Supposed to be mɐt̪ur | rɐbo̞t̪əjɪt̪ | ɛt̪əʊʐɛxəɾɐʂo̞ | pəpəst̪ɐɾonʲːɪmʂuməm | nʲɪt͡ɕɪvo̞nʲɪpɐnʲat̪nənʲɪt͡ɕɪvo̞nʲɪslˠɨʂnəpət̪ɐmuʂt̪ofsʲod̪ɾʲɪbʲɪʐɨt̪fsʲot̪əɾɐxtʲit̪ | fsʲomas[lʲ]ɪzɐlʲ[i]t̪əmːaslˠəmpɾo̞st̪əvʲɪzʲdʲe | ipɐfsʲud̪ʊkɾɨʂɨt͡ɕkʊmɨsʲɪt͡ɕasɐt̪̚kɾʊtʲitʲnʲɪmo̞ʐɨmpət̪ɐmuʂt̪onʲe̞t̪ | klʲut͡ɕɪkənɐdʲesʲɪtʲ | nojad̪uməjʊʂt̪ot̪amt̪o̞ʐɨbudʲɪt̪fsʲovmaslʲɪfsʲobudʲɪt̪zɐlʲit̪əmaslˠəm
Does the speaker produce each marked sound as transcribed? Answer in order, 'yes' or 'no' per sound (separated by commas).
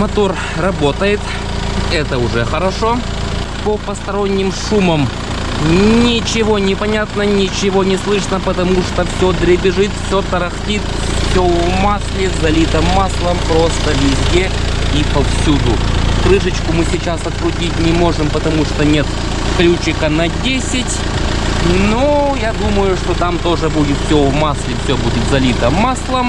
yes, yes